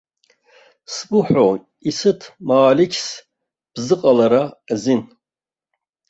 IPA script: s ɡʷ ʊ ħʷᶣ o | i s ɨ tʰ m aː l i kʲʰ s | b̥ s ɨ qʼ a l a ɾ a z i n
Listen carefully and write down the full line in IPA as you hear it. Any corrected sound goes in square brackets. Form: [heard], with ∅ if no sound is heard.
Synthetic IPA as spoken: s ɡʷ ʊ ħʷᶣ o | i s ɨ tʰ m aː l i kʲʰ s | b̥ [z] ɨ qʼ a l a ɾ a z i n